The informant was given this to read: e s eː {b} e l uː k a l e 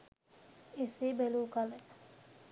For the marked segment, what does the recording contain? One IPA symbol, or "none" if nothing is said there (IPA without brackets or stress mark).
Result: b